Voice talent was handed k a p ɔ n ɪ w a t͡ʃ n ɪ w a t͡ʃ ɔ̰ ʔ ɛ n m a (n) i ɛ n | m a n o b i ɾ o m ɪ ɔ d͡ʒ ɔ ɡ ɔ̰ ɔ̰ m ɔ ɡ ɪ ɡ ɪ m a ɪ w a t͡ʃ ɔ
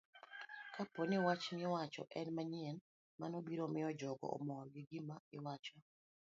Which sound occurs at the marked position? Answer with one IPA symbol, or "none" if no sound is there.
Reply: ɲ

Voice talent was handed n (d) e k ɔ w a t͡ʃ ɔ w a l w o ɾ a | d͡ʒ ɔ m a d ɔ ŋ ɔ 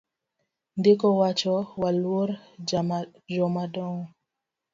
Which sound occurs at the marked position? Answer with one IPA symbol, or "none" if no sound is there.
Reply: d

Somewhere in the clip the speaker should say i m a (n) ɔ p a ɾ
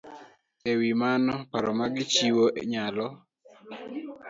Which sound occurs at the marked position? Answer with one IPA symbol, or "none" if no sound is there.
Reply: n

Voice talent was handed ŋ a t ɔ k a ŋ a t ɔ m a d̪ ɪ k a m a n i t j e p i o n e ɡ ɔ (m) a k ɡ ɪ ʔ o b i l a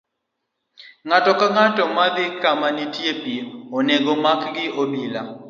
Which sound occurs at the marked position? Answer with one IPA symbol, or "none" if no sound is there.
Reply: m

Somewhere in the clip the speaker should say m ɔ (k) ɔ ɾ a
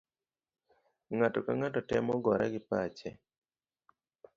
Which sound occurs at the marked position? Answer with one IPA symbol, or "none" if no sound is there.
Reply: ɡ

